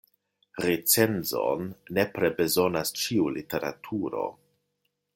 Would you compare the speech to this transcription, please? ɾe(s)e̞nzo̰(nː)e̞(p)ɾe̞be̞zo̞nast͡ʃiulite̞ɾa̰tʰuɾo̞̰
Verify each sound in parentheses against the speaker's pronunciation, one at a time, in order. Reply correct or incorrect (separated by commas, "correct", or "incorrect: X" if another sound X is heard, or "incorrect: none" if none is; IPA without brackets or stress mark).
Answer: incorrect: t͡s, correct, correct